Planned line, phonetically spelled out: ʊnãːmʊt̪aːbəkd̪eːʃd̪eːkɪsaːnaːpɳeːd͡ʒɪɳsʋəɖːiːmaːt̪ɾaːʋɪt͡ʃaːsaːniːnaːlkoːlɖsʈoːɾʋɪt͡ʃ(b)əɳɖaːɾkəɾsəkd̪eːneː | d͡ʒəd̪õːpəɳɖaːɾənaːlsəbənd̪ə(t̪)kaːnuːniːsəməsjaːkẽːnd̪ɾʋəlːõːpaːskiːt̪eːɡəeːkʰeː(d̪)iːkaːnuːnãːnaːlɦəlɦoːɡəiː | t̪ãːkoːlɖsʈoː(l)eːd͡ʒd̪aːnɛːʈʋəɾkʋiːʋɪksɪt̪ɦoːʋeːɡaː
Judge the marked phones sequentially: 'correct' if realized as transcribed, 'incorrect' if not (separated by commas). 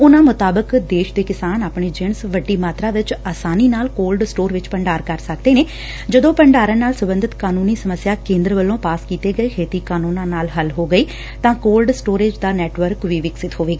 incorrect, correct, incorrect, incorrect